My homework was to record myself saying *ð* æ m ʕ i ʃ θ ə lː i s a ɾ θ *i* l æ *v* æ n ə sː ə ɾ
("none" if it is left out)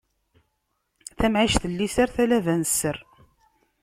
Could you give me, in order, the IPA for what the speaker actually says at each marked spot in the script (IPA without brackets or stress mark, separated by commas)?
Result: θ, æ, v